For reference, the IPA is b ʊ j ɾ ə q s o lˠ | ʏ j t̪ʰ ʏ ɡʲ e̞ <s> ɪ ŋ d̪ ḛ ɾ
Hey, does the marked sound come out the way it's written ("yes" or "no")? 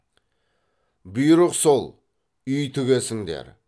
yes